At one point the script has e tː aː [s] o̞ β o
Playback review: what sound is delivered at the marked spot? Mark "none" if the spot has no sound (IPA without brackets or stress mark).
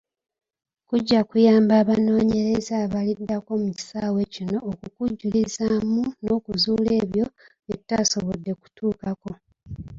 s